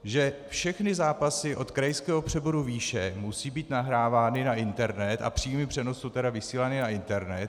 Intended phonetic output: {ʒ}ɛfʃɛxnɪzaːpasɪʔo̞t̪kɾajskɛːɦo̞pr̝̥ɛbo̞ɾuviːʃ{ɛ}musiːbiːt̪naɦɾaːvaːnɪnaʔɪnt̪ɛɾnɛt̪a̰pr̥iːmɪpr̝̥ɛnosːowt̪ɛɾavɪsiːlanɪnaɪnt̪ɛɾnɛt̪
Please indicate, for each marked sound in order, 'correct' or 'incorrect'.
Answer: correct, correct

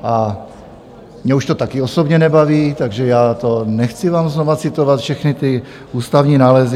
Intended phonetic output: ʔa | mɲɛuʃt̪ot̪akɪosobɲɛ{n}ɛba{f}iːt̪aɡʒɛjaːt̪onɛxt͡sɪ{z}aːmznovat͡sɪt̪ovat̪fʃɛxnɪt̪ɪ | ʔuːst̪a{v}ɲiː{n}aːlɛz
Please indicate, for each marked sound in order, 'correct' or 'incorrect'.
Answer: correct, incorrect: v, incorrect: v, correct, correct

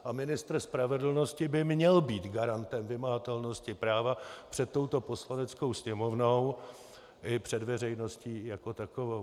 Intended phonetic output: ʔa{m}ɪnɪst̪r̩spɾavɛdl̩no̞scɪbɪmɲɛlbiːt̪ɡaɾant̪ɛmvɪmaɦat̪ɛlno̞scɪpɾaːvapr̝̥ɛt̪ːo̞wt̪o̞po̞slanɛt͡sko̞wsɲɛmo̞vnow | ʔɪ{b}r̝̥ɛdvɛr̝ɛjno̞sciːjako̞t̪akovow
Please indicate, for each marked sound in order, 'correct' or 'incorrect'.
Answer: correct, incorrect: p

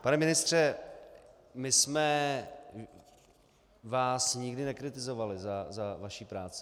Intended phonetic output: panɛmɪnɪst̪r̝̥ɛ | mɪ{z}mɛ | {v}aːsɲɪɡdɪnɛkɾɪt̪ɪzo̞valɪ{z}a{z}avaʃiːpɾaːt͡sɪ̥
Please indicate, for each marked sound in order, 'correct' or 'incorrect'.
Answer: incorrect: s, correct, correct, correct

